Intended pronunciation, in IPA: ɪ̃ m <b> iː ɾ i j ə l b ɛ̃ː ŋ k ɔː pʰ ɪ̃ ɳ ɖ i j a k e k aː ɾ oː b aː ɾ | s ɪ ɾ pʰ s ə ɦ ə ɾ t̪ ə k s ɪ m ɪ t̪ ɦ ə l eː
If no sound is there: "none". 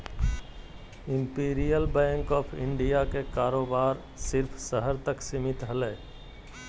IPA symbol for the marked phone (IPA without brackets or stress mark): p